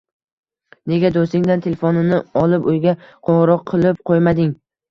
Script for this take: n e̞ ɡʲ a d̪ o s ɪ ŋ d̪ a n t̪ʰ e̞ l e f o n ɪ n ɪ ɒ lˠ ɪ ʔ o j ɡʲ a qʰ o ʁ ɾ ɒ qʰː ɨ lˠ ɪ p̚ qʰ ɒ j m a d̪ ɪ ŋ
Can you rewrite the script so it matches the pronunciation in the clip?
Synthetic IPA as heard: n e̞ ɡʲ a d̪ o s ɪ ŋ d̪ a n t̪ʰ e̞ l e f o n ɪ n ɪ ɒ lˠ ɪ p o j ɡʲ a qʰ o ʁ ɾ ɒ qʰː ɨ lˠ ɪ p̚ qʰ o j m a d̪ ɪ ŋ